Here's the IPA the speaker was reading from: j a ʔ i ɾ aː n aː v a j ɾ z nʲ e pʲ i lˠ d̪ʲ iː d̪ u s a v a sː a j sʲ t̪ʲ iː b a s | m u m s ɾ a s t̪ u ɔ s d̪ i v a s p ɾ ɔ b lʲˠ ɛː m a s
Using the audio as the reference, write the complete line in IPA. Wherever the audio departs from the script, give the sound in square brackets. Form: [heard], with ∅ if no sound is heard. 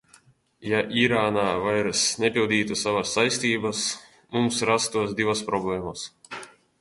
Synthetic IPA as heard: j a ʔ i ɾ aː n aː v a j ɾ [s] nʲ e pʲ i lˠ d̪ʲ iː [t̪] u s a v a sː a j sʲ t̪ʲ iː b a s | m u m s ɾ a s t̪ u ɔ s d̪ i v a s p ɾ ɔ b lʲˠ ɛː m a s